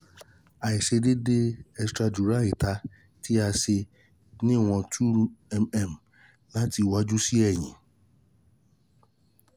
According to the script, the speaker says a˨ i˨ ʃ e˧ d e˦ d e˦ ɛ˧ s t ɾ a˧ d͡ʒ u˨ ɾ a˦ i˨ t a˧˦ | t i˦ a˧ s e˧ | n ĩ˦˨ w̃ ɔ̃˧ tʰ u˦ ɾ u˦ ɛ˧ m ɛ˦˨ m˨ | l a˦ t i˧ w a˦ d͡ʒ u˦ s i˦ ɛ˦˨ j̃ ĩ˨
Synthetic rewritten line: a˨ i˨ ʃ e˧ d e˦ d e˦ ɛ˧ s t ɾ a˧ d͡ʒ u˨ ɾ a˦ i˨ t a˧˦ | t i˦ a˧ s e˧ | n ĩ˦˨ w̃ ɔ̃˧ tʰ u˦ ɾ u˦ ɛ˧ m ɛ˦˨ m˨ | l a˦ t i˧ w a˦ d͡ʒ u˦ s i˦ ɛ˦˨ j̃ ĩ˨